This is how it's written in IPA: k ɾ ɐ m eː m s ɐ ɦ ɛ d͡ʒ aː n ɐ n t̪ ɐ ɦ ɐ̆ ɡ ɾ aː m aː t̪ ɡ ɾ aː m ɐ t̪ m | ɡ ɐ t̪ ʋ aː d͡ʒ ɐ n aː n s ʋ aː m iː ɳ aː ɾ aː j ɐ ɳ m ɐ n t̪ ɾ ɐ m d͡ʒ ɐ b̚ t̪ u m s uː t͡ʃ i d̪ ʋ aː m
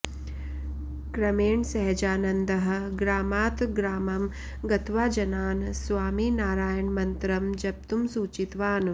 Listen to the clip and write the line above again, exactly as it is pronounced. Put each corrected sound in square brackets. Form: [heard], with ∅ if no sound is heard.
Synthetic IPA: k ɾ ɐ m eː [ɳ] s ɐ ɦ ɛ d͡ʒ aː n ɐ n [d̪] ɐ ɦ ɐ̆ ɡ ɾ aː m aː t̪ ɡ ɾ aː m ɐ [∅] m | ɡ ɐ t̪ ʋ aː d͡ʒ ɐ n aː n s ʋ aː m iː [n] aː ɾ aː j ɐ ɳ m ɐ n t̪ ɾ ɐ m d͡ʒ ɐ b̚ t̪ u m s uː t͡ʃ i [t̪] ʋ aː [n]